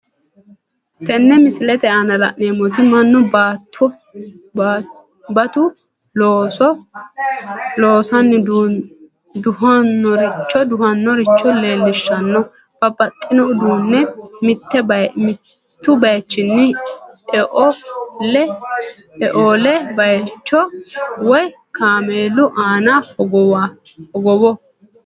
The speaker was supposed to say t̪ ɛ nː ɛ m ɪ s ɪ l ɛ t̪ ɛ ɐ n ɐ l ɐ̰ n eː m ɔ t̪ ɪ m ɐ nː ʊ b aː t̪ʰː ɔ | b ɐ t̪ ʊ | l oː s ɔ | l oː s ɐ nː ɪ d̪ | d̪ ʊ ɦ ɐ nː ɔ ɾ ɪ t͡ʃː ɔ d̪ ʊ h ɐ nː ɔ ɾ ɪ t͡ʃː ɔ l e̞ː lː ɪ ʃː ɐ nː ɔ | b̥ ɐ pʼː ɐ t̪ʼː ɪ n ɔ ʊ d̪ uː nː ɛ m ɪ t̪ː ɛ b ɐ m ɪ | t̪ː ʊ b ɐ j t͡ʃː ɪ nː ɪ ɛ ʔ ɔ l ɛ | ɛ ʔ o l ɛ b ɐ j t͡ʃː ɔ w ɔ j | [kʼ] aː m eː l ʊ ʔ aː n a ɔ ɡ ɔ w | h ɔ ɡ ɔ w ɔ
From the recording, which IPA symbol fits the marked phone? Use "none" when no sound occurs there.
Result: k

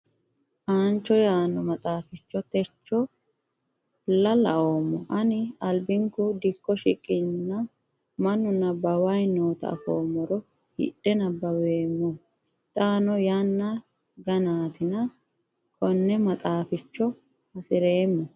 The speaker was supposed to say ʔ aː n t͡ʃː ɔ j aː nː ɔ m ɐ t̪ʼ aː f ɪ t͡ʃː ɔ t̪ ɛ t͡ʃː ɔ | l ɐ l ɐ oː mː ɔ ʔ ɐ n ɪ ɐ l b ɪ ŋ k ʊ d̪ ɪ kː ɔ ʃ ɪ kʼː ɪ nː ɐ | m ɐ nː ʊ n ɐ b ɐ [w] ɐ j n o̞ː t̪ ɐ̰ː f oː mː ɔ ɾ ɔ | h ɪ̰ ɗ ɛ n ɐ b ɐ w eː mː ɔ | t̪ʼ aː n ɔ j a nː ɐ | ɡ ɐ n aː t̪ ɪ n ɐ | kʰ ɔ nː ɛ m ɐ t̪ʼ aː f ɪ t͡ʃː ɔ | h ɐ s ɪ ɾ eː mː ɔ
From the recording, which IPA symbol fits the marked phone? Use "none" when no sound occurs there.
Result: w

